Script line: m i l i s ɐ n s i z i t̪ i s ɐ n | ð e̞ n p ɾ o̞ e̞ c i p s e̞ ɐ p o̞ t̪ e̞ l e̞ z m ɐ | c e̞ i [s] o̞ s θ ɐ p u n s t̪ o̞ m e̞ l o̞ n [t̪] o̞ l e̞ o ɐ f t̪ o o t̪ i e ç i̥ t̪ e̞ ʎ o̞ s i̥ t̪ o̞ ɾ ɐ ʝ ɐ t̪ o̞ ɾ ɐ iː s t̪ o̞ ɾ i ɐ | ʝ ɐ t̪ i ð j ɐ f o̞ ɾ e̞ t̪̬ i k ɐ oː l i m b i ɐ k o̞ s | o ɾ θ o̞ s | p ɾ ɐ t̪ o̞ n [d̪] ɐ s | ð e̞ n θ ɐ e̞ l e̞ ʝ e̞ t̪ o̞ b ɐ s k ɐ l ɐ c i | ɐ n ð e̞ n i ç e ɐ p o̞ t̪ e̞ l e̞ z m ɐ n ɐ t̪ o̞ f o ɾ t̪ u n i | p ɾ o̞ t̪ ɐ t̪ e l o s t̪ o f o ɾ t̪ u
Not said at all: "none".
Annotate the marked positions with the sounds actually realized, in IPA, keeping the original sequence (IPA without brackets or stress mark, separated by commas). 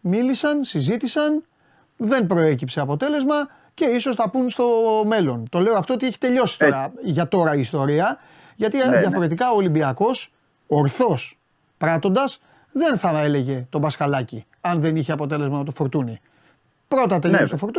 s, t̪, d̪